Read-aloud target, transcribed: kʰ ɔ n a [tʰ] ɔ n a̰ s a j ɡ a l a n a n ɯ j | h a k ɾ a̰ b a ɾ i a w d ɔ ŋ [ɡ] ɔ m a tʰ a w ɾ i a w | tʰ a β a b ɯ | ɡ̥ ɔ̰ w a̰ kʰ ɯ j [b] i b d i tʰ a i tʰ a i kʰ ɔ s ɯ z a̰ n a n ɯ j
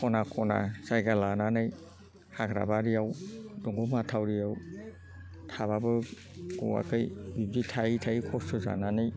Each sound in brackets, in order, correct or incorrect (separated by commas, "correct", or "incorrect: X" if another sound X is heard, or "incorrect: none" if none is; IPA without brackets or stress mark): incorrect: kʰ, correct, correct